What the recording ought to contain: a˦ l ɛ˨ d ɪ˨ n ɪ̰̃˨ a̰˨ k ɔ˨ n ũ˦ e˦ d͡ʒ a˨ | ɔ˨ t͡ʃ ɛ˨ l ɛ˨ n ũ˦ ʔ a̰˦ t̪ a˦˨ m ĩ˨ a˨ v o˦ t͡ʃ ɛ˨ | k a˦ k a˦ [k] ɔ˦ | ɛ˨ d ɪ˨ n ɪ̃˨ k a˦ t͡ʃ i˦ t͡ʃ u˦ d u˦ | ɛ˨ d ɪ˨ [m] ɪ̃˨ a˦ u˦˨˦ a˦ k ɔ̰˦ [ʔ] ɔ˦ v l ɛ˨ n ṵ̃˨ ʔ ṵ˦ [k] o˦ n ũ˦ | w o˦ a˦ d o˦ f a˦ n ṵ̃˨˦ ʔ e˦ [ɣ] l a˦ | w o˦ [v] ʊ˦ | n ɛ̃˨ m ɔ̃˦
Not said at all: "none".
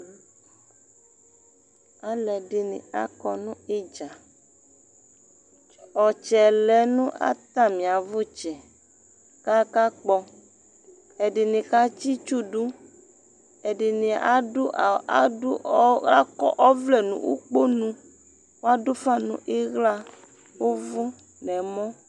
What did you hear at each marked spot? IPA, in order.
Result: k͡p, n, ʔ, k͡p, ɣ, v

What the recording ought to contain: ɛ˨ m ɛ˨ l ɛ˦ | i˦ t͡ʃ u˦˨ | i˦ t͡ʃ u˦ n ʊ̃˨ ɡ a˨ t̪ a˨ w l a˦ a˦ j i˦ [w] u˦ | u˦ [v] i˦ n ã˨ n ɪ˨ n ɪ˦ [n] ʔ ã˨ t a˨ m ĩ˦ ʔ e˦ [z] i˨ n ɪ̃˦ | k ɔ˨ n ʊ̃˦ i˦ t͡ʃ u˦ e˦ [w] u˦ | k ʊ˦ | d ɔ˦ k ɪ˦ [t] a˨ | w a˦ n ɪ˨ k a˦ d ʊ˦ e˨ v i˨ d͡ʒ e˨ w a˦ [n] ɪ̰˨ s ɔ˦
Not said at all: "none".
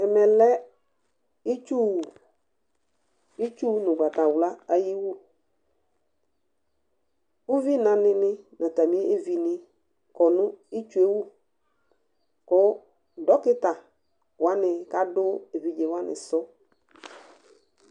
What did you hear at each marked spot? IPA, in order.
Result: w, v, n, v, w, t, n

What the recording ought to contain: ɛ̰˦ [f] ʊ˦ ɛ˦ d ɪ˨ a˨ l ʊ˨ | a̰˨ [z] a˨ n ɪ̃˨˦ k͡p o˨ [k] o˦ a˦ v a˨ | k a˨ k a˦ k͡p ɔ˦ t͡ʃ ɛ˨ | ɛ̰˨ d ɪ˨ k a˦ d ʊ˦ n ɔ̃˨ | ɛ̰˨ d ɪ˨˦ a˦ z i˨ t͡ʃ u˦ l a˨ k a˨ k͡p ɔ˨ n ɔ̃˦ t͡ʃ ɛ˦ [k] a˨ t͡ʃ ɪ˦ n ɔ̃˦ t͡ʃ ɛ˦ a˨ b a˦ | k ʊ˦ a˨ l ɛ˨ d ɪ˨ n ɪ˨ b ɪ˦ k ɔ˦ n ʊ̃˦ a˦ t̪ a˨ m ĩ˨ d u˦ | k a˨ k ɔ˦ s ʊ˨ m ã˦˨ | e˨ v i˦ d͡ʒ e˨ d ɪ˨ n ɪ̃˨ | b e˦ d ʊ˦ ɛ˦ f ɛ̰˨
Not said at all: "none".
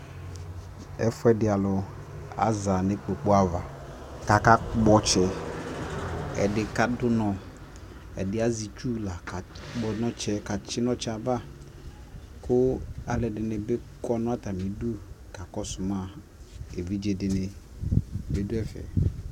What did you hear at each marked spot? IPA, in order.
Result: f, z, k͡p, k

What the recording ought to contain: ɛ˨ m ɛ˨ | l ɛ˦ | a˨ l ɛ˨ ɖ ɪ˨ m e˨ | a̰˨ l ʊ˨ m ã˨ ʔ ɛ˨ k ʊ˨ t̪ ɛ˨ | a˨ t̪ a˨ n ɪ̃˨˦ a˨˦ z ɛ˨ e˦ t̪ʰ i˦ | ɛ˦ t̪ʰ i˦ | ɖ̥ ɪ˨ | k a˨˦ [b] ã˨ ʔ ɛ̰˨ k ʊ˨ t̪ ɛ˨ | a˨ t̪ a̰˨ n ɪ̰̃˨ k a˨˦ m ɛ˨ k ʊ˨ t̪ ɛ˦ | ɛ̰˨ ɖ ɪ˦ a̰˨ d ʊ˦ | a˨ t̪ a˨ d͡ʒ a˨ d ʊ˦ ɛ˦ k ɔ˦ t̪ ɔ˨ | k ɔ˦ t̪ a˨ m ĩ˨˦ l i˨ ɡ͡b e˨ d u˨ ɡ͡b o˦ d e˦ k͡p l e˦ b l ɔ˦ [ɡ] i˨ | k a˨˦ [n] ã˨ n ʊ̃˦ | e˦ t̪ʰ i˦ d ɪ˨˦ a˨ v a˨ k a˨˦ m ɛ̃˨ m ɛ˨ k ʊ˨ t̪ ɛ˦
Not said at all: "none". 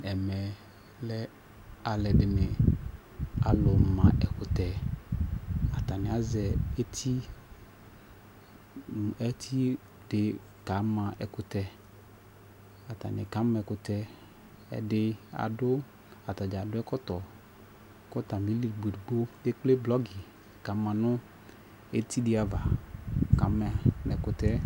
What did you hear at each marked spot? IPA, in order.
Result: m, ɡ, m

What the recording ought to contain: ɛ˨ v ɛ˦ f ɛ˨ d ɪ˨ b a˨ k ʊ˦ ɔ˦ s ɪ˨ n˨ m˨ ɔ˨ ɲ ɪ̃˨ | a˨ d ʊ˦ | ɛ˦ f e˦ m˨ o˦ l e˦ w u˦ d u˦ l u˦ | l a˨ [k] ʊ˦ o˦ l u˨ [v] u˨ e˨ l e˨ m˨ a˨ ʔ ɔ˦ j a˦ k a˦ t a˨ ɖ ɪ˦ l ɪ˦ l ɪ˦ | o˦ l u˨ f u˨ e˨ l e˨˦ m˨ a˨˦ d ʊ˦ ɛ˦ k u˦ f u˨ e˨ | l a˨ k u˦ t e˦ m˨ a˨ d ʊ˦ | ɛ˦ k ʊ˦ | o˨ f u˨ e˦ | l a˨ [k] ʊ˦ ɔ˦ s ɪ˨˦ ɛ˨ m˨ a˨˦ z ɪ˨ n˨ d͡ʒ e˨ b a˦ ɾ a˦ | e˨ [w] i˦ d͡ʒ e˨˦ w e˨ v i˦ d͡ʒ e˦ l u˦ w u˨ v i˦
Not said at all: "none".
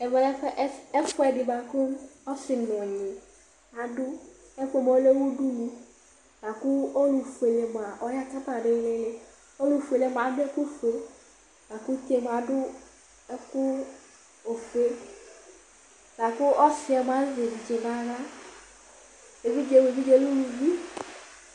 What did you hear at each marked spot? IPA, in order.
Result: k, f, k, v

